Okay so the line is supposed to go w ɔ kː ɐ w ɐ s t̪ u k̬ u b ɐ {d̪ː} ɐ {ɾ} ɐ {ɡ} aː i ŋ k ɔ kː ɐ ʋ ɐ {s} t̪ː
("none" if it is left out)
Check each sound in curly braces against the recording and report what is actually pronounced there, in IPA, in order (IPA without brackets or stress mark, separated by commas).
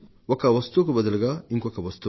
d̪, l, ɡ, s